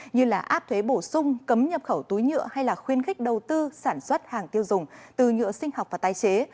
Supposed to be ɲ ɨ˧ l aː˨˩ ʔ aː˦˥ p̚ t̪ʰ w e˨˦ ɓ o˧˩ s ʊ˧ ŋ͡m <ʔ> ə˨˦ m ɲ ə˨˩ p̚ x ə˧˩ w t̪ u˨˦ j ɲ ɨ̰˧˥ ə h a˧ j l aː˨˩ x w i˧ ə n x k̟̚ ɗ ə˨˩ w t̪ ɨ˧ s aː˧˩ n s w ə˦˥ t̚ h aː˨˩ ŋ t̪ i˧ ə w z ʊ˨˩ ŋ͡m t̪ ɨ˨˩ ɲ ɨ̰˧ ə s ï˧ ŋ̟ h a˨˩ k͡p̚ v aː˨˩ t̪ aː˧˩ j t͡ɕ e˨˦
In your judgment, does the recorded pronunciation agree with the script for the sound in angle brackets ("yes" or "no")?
no